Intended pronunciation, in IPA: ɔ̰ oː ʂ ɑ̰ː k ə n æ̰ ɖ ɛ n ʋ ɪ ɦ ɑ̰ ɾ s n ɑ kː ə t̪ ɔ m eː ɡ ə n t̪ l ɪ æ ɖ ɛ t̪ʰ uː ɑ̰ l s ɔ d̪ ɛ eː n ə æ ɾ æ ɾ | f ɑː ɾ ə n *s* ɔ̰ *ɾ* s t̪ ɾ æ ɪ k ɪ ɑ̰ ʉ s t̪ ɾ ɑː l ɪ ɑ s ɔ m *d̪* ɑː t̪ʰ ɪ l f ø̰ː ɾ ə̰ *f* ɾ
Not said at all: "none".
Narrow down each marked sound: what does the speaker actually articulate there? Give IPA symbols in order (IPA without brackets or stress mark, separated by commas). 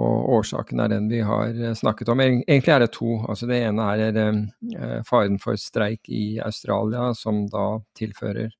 f, ɾ, d̪, none